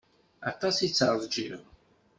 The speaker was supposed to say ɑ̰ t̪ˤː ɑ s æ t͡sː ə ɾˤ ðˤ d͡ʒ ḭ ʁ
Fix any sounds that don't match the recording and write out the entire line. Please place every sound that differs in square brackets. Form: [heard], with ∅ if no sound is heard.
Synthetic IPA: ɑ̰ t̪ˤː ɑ s [i] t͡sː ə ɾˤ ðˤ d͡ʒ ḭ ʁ